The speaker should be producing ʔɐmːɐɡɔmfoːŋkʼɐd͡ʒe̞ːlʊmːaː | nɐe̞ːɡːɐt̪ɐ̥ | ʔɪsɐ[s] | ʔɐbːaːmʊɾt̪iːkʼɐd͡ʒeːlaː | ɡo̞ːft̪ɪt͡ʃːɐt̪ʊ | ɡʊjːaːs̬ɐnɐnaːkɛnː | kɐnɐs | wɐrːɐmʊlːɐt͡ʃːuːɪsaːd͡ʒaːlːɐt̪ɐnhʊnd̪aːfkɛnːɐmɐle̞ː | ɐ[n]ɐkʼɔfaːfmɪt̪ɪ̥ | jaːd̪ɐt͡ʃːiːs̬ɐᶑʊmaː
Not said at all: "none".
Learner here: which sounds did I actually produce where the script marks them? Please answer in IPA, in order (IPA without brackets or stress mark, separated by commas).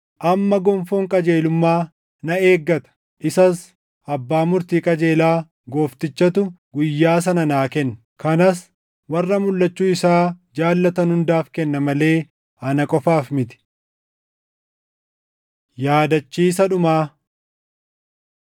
s, n